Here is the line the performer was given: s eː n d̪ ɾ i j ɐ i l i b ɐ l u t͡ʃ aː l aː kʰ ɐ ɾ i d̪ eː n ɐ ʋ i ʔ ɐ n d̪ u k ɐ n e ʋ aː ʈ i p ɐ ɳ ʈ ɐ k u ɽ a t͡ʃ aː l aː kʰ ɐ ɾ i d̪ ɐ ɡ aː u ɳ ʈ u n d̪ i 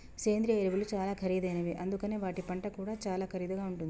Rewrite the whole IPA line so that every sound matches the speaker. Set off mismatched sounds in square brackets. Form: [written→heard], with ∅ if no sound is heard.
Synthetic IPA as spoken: s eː n d̪ ɾ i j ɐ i [l→ɾ] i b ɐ l u t͡ʃ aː l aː kʰ ɐ ɾ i d̪ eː n ɐ ʋ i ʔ ɐ n d̪ u k ɐ n e ʋ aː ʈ i p ɐ ɳ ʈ ɐ k [u→uː] ɽ a t͡ʃ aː l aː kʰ ɐ ɾ i d̪ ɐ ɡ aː u ɳ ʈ u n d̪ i

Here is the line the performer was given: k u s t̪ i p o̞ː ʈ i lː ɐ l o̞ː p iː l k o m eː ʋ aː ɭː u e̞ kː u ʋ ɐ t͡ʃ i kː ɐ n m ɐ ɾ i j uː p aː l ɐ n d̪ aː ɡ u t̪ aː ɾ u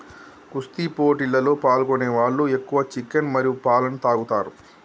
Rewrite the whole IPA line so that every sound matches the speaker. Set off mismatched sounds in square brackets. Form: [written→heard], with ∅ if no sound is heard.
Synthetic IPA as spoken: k u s t̪ i p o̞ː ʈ i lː ɐ l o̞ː p [iː→aː] l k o [m→n] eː ʋ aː ɭː u e̞ kː u ʋ ɐ t͡ʃ i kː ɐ n m ɐ ɾ i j [uː→u] p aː l ɐ n [d̪→t̪] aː ɡ u t̪ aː ɾ u

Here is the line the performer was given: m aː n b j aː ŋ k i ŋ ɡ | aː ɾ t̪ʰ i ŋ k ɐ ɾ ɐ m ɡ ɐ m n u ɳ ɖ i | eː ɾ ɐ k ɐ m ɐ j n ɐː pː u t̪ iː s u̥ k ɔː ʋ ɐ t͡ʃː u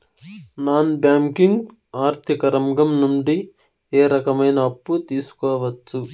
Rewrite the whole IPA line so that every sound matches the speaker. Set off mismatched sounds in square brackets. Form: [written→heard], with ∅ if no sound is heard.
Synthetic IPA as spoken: [m→n] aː n b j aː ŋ k i ŋ ɡ | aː ɾ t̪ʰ i [ŋ→∅] k ɐ ɾ ɐ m ɡ ɐ m n u ɳ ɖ i | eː ɾ ɐ k ɐ m ɐ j n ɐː pː u t̪ iː s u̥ k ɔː ʋ ɐ t͡ʃː u

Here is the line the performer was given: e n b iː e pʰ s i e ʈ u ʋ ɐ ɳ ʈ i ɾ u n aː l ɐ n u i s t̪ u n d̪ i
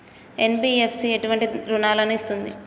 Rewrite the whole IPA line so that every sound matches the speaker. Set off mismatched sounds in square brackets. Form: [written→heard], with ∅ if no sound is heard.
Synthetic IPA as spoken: e n b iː e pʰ s i e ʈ u ʋ ɐ ɳ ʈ i ɾ u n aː l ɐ n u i s t̪ u n d̪ i

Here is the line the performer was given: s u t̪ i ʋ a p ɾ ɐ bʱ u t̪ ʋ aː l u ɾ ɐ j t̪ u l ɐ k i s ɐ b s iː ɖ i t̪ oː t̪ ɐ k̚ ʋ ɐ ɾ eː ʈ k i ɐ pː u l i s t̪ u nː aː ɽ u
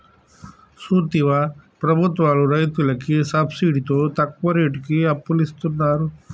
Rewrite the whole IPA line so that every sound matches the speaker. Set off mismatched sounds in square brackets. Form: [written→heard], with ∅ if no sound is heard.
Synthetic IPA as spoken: s u t̪ i ʋ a p ɾ ɐ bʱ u t̪ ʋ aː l u ɾ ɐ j t̪ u l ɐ k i s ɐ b s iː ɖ i t̪ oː t̪ ɐ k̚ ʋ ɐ ɾ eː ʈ k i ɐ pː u l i s t̪ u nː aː [ɽ→ɾ] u

